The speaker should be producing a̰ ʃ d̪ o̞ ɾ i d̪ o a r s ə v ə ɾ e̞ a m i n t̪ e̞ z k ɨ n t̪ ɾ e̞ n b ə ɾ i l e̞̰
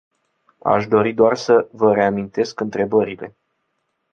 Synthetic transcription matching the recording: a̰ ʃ d̪ o̞ ɾ i d̪ o a r s ə v ə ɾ e̞ a m i n t̪ e̞ s k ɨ n t̪ ɾ e̞ b ə ɾ i l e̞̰